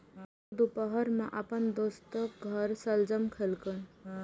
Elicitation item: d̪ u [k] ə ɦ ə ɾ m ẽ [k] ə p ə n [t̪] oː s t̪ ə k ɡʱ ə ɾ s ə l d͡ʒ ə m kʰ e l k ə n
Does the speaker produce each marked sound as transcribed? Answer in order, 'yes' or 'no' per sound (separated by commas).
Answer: no, no, no